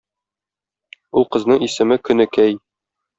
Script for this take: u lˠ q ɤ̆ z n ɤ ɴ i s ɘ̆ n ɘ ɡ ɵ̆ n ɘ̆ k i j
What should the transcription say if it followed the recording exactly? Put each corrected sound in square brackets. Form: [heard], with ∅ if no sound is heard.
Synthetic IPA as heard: u lˠ q ɤ̆ z n ɤ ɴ i s ɘ̆ [m] ɘ [k] ɵ̆ n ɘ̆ k [æ] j

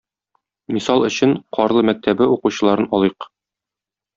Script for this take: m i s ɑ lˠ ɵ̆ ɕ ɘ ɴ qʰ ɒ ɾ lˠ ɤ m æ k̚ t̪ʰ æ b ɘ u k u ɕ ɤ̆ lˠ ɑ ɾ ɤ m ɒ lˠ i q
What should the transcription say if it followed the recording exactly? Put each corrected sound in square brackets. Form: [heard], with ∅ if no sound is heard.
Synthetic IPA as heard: m i s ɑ lˠ ɵ̆ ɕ ɘ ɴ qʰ ɒ ɾ lˠ ɤ m æ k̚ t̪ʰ æ b ɘ u [q] u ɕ ɤ̆ lˠ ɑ ɾ ɤ [n] ɒ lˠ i q

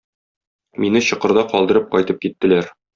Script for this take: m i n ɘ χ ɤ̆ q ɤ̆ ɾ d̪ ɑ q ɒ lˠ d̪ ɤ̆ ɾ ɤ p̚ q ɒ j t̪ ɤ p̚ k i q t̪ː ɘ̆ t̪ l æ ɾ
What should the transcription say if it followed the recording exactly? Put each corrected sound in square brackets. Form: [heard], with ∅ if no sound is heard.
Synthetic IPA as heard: m i n ɘ [ɕ] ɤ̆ q ɤ̆ ɾ d̪ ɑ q ɒ lˠ d̪ ɤ̆ ɾ ɤ p̚ q ɒ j t̪ ɤ p̚ k i [∅] t̪ː ɘ̆ [∅] l æ ɾ

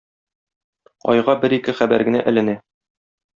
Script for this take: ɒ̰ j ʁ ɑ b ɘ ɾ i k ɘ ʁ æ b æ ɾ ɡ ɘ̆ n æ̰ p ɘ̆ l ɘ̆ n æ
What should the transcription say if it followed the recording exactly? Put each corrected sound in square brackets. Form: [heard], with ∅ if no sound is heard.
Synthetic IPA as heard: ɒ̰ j ʁ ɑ b ɘ ɾ i k ɘ [χ] æ b æ ɾ ɡ ɘ̆ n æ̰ [ʔ] ɘ̆ l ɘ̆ n æ

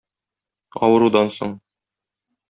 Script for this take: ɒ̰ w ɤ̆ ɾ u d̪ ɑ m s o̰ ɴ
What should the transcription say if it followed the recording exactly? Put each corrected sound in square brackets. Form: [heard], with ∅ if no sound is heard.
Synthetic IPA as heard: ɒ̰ w ɤ̆ ɾ u d̪ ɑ [n] s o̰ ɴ

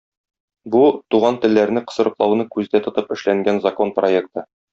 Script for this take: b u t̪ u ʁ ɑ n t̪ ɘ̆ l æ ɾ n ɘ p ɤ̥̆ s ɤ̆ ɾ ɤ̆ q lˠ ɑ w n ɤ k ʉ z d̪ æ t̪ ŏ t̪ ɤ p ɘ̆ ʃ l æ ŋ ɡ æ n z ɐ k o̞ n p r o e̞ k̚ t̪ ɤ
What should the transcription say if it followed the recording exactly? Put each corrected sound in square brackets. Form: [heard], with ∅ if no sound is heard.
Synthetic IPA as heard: b u t̪ u ʁ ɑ n t̪ ɘ̆ [lː] æ ɾ n ɘ [q] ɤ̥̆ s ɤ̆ ɾ ɤ̆ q lˠ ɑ w n ɤ k ʉ z d̪ æ t̪ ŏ t̪ ɤ p ɘ̆ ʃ l æ ŋ ɡ æ n z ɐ k o̞ n p r o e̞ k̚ t̪ ɤ

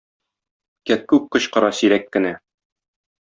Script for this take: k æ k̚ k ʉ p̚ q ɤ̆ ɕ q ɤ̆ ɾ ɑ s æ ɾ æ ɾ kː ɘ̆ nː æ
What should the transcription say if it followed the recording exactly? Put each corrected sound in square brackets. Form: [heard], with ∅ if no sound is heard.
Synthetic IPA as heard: k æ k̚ k ʉ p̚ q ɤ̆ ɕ q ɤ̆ ɾ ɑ s [i] ɾ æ [∅] kː ɘ̆ [n] æ

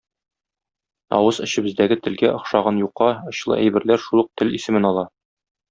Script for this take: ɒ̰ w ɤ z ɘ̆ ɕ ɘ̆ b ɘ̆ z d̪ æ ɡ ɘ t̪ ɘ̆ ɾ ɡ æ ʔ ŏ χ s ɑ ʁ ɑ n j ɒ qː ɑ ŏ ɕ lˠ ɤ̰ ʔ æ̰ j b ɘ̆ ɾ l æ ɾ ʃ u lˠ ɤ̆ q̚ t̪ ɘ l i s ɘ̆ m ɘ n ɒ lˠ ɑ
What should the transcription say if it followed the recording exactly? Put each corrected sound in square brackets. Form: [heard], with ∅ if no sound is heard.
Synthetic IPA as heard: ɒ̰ w ɤ z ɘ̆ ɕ ɘ̆ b ɘ̆ z d̪ æ ɡ ɘ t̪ ɘ̆ [l] ɡ æ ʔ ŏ χ [ʃ] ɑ ʁ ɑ n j [u] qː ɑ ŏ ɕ lˠ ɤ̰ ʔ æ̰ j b ɘ̆ ɾ l æ ɾ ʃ u lˠ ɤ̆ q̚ t̪ ɘ l i s ɘ̆ m ɘ n ɒ lˠ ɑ

